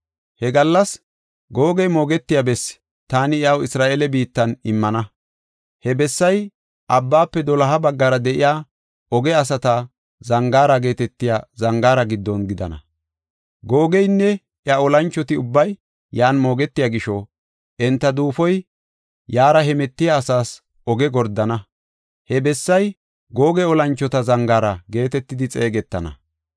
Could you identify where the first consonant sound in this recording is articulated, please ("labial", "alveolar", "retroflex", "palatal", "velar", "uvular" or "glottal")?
glottal